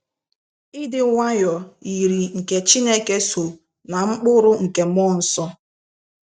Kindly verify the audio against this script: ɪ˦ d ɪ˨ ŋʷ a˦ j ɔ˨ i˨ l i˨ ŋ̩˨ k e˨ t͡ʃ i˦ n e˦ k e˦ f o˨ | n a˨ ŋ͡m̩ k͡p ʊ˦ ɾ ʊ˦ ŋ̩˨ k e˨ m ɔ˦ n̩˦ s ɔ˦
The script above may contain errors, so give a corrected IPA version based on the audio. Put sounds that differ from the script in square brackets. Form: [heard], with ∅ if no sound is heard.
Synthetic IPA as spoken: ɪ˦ d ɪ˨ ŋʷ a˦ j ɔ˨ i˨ [ɾ] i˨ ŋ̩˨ k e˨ t͡ʃ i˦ n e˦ k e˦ [s] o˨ | n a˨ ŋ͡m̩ k͡p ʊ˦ ɾ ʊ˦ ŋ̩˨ k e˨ m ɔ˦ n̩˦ s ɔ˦